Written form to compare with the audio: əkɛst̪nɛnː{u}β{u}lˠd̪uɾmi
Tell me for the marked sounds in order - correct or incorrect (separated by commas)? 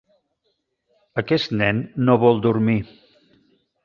incorrect, incorrect